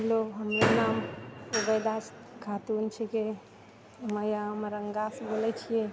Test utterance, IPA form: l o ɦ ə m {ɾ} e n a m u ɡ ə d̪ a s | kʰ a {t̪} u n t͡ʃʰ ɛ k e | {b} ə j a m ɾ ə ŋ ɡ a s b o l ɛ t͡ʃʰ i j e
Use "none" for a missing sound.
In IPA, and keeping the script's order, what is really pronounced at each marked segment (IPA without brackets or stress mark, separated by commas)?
ɾ, t̪, m